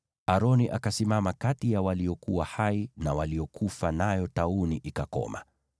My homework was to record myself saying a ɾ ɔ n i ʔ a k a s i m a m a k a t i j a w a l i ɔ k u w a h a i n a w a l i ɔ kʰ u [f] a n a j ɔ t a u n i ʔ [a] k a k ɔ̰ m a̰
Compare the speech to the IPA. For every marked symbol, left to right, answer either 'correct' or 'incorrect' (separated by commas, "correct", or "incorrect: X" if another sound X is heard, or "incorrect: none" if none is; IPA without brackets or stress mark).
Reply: correct, incorrect: i